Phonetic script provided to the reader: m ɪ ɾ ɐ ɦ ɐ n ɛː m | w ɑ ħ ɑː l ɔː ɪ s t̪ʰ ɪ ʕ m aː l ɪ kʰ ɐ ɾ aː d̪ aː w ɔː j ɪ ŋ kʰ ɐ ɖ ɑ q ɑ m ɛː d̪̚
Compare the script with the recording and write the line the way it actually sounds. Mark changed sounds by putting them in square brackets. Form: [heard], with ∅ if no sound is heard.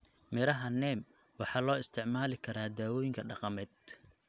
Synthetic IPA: m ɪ ɾ ɐ ɦ ɐ n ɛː m | w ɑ ħ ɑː l ɔː ɪ s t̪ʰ ɪ ʕ m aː l ɪ kʰ ɐ ɾ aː d̪ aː w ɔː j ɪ ŋ kʰ ɐ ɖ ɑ q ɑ m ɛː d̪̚